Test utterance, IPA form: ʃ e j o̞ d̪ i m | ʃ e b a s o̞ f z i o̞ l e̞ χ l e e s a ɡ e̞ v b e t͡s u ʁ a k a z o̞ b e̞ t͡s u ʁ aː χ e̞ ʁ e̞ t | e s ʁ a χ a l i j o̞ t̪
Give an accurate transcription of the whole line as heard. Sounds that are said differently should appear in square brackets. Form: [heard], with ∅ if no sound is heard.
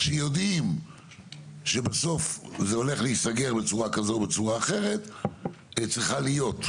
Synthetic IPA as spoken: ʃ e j o̞ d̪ i m | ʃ e b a s o̞ f z [e] o̞ l e̞ χ l e [i] s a ɡ e̞ [ʁ] b e t͡s u ʁ a k a z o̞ b e̞ t͡s u ʁ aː χ e̞ ʁ e̞ t | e [t͡s] ʁ [i] χ a l i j o̞ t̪